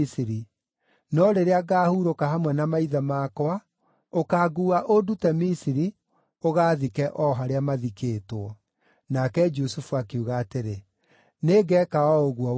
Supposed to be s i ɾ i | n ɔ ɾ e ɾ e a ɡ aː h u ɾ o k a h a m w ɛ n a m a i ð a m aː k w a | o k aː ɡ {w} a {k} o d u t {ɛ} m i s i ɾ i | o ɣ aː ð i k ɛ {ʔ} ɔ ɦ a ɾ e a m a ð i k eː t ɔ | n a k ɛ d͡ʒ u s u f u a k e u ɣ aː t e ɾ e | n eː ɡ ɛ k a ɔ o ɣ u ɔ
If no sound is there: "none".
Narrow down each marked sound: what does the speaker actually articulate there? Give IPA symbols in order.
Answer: u, ʔ, ɛ, ʔ

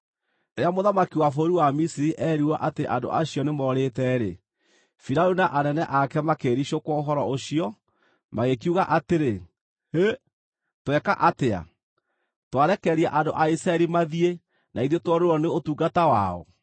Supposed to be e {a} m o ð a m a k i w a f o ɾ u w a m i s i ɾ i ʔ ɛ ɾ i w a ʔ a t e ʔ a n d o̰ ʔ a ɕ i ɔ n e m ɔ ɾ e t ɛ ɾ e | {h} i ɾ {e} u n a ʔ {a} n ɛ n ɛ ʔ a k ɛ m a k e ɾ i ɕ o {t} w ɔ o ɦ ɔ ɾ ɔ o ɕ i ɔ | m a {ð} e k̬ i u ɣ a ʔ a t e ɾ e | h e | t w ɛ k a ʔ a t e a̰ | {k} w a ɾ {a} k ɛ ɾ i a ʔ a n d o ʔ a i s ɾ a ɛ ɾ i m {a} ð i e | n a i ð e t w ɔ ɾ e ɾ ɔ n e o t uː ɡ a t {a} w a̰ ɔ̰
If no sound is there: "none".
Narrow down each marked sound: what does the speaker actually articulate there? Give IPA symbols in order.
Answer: a, f, a, a, k, ɣ, t, ɛ, a, a

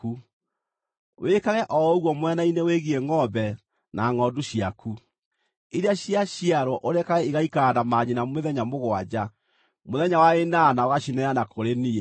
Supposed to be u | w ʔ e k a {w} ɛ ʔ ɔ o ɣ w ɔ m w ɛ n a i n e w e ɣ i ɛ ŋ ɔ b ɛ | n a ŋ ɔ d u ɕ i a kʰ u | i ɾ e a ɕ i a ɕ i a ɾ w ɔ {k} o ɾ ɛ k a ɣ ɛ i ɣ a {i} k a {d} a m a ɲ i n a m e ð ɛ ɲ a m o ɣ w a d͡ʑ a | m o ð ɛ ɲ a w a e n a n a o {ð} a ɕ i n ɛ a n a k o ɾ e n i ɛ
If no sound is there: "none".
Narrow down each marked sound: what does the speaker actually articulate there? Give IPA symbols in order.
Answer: ɣ, ʔ, i, d, ɣ

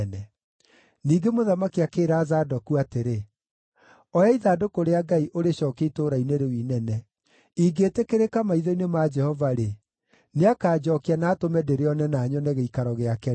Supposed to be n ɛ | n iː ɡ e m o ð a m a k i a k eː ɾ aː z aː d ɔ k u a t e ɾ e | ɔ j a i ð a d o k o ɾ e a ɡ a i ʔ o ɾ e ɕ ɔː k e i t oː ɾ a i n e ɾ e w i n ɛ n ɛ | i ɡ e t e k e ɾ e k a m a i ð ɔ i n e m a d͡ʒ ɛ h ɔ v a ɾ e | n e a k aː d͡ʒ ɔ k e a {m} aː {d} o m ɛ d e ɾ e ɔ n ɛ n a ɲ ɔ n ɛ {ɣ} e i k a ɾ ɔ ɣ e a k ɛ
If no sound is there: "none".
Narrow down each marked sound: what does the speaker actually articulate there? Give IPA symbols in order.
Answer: n, t, ɣ

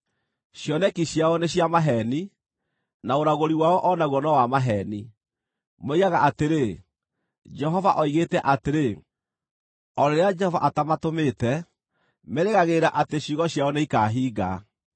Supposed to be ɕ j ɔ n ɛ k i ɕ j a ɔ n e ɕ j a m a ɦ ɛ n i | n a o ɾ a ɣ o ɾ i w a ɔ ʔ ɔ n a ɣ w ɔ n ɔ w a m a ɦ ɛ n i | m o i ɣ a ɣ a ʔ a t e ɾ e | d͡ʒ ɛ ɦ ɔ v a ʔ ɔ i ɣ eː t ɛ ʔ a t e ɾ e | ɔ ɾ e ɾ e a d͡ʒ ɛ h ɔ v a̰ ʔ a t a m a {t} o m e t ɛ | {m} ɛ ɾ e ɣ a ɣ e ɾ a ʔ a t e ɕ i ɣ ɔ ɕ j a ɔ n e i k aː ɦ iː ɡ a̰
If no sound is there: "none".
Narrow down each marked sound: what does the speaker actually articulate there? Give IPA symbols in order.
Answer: t, m

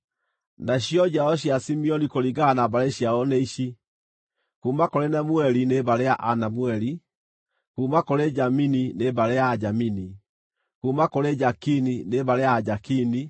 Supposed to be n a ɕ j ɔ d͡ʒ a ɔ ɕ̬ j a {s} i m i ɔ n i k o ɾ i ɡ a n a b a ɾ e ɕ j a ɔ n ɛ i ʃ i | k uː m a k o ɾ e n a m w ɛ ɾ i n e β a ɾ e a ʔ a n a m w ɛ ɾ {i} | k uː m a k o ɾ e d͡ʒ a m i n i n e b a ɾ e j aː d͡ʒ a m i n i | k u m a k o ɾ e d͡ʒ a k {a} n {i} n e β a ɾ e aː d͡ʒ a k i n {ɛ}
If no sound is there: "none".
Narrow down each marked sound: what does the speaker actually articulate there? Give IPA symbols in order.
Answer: s, i, i, i, i

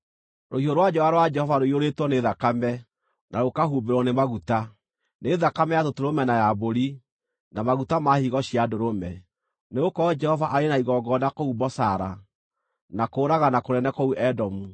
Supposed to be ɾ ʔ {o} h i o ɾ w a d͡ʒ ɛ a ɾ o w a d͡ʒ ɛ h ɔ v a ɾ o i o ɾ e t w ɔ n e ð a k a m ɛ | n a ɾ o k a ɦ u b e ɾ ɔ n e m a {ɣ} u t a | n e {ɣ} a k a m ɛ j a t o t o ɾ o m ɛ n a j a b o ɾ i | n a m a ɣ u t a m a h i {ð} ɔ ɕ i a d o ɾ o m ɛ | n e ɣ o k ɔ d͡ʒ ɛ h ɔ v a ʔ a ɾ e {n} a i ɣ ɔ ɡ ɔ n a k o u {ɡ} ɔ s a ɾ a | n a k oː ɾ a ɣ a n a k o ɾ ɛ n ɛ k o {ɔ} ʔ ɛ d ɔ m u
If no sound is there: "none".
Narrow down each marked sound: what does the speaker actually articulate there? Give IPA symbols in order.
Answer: o, ɣ, ð, ɣ, n, b, u

